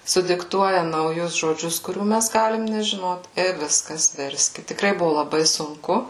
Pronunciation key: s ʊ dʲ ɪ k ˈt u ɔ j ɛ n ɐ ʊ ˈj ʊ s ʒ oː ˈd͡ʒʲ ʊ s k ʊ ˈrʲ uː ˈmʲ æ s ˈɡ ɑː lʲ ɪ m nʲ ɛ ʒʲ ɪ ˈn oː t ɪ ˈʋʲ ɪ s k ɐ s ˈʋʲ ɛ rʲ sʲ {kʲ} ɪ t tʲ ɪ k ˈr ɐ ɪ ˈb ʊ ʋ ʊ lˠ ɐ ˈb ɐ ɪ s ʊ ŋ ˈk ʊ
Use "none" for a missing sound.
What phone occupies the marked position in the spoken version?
kʲ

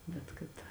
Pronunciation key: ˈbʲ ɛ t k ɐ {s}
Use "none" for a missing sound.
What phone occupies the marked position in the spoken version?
t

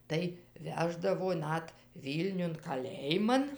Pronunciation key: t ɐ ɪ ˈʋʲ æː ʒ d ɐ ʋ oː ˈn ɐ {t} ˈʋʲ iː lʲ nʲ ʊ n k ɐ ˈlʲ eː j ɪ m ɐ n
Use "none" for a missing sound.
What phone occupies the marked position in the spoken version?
t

